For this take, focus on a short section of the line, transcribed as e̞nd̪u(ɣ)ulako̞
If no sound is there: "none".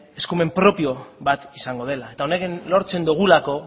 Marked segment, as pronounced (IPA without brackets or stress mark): ɣ